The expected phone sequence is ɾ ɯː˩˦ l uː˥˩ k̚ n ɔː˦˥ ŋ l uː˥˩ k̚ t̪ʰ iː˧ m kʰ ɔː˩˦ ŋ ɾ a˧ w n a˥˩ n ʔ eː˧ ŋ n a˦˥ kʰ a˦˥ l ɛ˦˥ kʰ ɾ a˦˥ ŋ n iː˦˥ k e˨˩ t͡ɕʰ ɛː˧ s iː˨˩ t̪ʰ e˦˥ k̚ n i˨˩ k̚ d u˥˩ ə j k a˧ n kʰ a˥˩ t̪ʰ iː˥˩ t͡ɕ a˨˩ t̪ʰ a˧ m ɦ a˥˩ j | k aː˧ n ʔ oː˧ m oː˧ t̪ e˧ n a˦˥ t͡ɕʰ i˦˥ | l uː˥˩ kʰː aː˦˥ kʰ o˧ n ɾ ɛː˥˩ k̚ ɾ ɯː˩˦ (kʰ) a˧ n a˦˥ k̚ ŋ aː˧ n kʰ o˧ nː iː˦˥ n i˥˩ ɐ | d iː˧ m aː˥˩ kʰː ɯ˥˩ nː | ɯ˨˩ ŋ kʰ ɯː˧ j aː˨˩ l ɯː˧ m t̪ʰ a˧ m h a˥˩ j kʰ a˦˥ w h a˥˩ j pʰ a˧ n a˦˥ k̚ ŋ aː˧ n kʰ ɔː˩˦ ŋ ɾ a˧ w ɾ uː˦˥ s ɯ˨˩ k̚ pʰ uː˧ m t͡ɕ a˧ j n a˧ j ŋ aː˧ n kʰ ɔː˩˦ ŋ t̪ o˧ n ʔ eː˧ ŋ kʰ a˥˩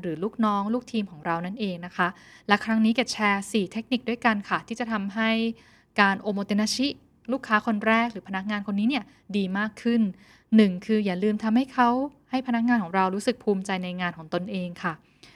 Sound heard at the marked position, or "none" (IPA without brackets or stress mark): pʰ